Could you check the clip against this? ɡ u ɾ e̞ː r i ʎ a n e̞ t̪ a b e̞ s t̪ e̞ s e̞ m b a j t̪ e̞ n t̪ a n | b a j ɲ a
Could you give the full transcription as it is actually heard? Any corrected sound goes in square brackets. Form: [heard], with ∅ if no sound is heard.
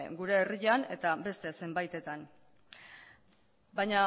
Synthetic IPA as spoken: ɡ u ɾ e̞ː r i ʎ a n e̞ t̪ a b e̞ s t̪ e̞ s e̞ m b a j t̪ e̞ [∅] t̪ a n | b a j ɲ a